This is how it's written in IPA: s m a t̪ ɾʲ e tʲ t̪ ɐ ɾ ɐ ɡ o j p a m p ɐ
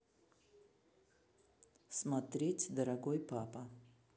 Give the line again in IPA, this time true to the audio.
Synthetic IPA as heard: s m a t̪ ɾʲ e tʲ d̪ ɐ ɾ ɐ ɡ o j p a p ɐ